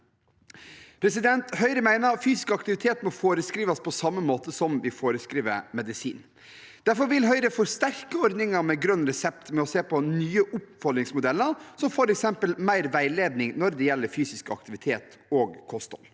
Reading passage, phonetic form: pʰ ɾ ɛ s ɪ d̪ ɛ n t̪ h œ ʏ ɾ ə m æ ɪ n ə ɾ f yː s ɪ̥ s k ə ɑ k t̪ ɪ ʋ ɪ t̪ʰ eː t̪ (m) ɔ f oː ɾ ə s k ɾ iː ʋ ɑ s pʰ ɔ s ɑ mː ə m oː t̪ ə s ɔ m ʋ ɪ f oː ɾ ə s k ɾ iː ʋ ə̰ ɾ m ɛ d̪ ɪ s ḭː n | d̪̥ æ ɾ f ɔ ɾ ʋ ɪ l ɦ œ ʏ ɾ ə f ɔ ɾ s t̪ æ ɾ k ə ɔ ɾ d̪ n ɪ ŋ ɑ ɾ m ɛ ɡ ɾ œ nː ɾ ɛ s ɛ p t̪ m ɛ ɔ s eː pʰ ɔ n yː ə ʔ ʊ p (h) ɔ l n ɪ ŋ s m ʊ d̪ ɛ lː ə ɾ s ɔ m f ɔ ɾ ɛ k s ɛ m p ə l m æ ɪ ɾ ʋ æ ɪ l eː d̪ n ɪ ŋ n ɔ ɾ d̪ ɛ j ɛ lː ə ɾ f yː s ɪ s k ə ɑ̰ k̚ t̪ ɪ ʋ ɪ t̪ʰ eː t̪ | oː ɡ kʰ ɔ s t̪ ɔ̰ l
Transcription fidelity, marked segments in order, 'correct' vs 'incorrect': correct, incorrect: f

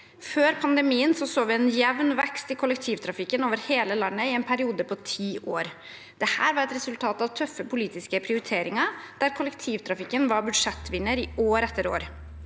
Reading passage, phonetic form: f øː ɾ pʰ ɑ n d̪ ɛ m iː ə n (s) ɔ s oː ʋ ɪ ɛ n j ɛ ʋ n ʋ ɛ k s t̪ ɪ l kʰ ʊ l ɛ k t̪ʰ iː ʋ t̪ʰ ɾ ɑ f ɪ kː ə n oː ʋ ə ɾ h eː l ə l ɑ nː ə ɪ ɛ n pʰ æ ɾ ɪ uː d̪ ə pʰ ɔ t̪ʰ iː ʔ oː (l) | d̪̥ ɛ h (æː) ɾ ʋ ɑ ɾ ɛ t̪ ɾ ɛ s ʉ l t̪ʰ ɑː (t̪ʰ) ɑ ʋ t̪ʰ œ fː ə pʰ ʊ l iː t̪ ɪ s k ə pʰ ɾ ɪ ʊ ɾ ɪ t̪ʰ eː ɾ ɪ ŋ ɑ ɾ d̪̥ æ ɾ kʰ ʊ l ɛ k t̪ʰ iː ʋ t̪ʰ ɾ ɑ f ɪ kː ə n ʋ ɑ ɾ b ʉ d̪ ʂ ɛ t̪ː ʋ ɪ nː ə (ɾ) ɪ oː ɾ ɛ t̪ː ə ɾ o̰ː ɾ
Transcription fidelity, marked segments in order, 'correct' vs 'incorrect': correct, incorrect: ɾ, correct, incorrect: t̪, correct

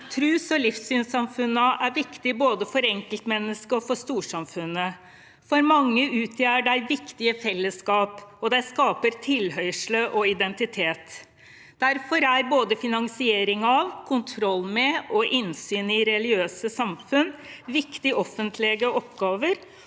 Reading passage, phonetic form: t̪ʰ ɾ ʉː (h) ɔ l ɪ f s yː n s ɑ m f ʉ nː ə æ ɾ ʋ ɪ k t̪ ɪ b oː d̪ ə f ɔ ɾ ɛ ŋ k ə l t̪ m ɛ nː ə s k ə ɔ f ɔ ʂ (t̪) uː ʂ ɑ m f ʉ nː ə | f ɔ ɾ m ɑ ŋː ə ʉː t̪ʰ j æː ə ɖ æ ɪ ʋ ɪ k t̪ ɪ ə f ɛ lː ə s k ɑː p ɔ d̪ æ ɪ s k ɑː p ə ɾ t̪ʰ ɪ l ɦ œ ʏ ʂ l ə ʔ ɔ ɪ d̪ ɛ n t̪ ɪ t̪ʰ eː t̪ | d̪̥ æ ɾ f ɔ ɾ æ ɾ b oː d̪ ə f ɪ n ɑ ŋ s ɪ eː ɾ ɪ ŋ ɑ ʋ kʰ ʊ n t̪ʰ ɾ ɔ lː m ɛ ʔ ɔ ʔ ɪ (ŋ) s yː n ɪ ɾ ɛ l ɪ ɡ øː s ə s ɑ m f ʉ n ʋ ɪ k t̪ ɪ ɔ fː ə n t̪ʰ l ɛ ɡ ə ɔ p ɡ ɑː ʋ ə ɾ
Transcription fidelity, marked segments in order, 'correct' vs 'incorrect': incorrect: s, correct, incorrect: n

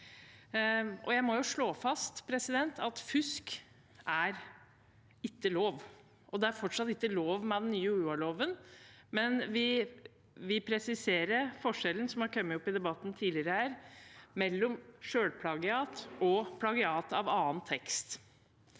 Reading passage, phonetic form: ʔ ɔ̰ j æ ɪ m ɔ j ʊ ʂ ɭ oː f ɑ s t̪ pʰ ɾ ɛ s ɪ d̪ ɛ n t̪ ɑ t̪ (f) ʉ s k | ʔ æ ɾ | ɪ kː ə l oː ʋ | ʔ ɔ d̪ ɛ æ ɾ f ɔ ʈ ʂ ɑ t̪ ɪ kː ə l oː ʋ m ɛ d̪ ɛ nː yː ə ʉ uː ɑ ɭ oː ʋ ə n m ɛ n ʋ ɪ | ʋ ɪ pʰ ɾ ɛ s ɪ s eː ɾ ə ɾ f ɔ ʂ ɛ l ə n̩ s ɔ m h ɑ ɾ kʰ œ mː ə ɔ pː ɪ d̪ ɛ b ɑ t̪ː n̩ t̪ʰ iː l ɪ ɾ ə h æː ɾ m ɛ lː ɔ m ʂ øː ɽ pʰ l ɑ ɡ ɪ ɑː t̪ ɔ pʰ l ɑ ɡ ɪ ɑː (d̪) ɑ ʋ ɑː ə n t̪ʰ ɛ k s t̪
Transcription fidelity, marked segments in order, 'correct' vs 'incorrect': correct, incorrect: t̪

